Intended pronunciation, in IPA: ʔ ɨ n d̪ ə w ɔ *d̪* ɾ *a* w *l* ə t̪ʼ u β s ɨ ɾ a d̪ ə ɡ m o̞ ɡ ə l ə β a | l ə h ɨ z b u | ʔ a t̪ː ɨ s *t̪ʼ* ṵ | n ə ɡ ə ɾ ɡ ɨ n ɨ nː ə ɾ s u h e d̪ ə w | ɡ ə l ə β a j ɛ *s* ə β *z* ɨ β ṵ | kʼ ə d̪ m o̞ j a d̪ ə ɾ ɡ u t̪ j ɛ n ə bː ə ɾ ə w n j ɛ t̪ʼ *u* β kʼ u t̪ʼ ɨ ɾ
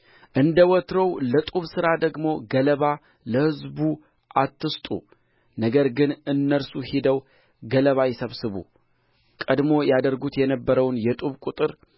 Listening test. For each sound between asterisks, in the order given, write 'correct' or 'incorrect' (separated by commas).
incorrect, incorrect, correct, correct, correct, incorrect, correct